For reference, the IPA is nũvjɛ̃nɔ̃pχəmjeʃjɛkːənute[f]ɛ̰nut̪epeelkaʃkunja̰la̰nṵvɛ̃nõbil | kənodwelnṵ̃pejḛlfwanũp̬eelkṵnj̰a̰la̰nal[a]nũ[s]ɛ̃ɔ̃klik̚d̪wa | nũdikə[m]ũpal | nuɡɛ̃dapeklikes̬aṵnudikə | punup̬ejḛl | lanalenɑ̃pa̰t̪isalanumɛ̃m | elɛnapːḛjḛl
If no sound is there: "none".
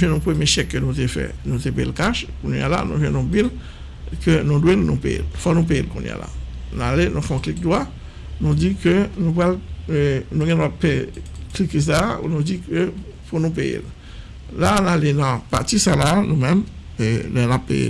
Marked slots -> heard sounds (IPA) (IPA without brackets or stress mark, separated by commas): f, e, f, n